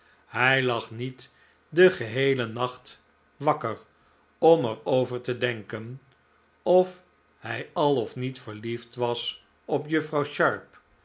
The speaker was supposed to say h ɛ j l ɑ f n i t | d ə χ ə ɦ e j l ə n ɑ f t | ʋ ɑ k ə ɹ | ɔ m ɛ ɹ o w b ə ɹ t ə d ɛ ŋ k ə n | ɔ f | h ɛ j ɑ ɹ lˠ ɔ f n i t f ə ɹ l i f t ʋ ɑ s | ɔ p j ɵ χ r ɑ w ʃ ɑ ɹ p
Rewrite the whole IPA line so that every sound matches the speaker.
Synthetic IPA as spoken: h ɛ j l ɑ χ n i t | d ə χ ə ɦ e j l ə n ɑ χ t | ʋ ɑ k ə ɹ | ɔ m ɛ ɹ o w v ə ɹ t ə d ɛ ŋ k ə n | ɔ f | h ɛ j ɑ lˠ ɔ f n i t f ə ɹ l i f t ʋ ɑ s | ɔ p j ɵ f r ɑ w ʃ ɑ ɹ p